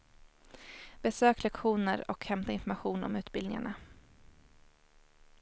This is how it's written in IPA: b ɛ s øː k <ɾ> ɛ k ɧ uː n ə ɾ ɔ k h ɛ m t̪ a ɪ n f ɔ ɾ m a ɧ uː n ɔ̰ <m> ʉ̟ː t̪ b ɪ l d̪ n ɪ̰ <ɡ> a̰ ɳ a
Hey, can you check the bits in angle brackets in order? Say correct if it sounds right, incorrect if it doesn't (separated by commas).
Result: incorrect, correct, incorrect